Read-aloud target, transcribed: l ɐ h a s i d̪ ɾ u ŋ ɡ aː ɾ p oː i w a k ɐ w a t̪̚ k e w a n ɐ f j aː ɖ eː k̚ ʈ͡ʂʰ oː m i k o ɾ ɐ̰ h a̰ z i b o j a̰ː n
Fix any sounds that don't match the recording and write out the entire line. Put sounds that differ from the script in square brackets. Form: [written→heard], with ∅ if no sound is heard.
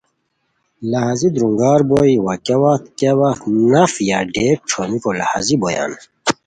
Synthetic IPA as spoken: l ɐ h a [s→z] i d̪ ɾ u ŋ ɡ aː ɾ [p→b] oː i w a k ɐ w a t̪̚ k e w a n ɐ f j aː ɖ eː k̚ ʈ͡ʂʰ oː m i k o [ɾ→l] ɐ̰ h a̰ z i b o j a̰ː n